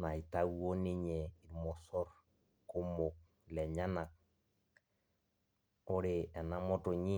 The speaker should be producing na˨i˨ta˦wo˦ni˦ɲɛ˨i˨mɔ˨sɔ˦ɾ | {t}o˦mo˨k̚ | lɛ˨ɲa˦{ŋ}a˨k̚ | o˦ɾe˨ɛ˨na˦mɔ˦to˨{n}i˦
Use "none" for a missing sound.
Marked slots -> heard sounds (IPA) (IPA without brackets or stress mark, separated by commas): k, n, ɲ